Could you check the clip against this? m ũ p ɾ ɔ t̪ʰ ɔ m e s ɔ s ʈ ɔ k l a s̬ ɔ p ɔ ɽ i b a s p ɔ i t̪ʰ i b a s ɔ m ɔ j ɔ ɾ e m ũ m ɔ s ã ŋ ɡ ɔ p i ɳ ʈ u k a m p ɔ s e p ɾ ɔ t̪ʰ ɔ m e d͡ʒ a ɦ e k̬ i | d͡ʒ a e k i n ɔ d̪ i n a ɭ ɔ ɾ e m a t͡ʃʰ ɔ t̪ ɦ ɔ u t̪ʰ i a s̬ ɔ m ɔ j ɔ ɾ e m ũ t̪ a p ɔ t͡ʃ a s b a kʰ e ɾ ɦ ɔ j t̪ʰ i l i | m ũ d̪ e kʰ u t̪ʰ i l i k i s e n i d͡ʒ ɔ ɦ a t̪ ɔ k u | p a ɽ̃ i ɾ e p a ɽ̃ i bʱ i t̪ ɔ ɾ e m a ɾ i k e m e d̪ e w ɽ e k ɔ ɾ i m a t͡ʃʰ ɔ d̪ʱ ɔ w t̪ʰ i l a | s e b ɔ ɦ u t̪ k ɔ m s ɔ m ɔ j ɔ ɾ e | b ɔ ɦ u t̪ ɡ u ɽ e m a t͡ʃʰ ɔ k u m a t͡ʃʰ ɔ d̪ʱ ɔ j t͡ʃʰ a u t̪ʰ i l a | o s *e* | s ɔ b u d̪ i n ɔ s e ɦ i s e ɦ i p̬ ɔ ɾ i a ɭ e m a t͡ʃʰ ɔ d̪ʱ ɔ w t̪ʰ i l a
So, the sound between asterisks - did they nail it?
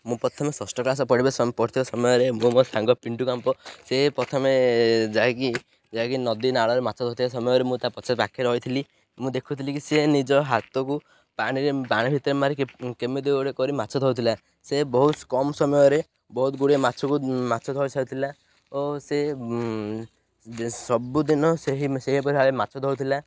yes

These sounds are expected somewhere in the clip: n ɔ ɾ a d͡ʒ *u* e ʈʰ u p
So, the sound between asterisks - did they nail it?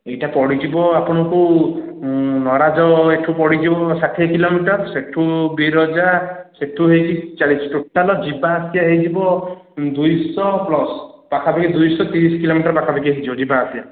no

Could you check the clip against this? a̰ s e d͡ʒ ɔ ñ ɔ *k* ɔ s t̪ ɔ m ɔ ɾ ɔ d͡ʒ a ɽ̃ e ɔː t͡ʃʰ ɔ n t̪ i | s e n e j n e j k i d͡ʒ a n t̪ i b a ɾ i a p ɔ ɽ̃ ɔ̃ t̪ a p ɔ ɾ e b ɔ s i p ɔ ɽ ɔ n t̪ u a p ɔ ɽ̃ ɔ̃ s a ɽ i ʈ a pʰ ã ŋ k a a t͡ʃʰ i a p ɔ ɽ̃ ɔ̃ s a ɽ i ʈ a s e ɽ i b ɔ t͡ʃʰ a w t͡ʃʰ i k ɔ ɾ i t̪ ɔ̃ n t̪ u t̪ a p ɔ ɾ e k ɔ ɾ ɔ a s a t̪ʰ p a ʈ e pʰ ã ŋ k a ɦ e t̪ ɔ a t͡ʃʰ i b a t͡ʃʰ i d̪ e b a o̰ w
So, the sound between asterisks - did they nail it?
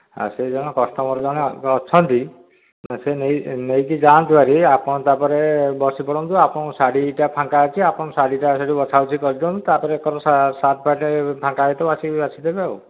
yes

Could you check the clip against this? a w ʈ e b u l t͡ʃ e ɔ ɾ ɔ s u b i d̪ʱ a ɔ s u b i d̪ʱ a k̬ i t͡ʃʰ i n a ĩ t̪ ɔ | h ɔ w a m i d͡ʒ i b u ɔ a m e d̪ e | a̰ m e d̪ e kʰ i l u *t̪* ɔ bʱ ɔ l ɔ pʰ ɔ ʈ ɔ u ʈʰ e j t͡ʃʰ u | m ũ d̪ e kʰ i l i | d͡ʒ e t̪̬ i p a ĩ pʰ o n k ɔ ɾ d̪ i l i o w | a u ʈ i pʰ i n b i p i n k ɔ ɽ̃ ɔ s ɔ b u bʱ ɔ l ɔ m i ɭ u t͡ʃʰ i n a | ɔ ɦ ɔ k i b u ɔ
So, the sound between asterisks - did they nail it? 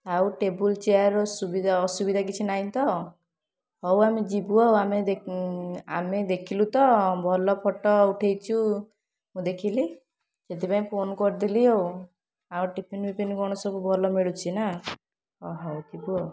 yes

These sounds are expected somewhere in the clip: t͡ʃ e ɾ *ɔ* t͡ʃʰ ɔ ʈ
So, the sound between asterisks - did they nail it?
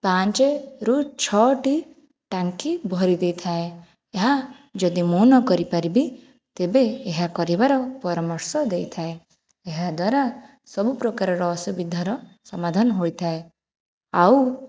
no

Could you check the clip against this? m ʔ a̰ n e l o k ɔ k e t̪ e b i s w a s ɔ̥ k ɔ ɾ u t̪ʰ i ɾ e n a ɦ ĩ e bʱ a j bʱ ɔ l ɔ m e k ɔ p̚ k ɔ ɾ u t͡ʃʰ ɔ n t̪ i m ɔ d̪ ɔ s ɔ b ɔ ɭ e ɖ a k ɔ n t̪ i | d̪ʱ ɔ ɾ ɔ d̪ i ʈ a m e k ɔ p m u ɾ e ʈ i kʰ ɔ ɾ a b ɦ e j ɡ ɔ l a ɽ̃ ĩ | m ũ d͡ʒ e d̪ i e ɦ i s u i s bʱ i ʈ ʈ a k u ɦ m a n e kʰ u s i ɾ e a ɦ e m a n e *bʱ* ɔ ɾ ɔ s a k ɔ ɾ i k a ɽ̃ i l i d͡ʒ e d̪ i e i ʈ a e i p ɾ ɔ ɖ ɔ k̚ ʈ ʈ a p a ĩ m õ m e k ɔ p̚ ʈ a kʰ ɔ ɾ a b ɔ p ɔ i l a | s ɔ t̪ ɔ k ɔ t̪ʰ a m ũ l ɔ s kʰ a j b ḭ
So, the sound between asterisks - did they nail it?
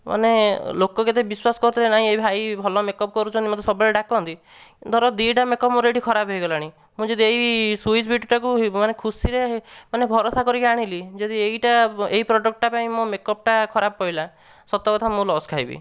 yes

